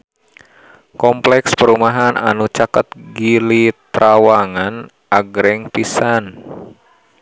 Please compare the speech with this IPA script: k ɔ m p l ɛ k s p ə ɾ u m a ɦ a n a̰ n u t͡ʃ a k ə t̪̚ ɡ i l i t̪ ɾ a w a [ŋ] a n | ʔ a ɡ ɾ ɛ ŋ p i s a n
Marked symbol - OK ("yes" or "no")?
yes